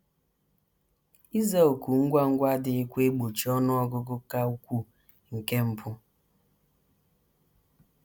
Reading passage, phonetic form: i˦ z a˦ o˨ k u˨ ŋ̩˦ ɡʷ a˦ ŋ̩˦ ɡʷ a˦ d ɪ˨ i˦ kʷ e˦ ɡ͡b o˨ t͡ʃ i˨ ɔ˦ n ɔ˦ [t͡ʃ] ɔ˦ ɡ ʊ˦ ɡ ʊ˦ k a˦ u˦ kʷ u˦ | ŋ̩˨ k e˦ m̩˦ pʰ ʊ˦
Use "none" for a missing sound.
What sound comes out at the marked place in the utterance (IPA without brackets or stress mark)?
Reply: none